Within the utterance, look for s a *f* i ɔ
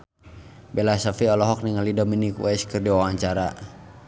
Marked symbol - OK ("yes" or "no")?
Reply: yes